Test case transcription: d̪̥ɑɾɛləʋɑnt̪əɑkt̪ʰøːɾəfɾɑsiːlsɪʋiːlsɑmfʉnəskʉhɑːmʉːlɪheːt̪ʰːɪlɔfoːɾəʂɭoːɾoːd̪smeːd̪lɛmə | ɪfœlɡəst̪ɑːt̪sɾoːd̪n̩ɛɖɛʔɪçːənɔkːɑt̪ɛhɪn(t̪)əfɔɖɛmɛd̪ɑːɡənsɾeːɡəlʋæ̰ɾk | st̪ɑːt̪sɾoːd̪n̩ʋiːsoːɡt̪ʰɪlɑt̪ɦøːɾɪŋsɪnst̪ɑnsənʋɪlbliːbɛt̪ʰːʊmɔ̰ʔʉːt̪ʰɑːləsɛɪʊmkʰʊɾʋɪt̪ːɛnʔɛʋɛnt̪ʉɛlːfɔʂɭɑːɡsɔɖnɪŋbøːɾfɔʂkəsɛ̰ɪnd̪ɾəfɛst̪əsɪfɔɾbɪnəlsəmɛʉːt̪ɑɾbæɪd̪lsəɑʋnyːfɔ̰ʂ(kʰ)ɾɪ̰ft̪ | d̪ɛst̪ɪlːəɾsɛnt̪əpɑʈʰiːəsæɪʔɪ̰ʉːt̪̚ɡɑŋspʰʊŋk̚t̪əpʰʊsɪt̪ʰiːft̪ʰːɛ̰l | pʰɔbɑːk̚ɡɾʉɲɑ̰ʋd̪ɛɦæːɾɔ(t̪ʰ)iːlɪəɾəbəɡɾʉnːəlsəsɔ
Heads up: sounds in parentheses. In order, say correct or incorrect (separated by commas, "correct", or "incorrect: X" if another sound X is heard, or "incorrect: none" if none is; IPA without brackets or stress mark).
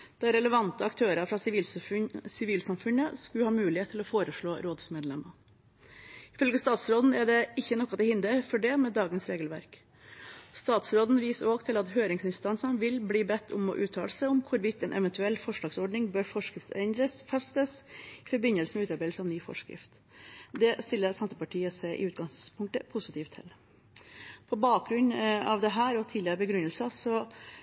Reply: incorrect: d̪, incorrect: k, correct